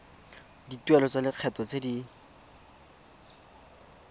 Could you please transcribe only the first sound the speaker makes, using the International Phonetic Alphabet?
d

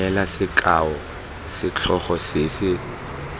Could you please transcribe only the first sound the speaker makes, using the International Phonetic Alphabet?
ɛ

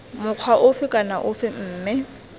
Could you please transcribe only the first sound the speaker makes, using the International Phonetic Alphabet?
m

